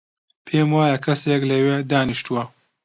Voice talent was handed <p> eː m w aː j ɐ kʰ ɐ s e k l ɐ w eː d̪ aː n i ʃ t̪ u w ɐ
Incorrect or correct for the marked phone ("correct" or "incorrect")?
incorrect